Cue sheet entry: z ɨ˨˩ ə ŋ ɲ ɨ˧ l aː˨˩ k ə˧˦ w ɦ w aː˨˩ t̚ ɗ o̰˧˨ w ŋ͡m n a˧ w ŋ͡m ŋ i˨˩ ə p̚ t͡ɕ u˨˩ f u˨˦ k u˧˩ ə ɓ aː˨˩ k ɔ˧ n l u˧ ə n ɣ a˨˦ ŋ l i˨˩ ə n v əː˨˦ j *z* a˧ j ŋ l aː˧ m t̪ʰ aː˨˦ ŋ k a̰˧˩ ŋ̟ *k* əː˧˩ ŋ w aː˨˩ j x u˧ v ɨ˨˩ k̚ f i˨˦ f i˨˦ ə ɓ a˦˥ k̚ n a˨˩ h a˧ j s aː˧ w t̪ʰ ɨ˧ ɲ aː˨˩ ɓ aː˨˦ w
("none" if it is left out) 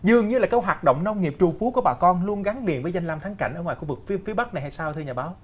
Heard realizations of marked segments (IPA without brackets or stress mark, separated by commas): z, ʔ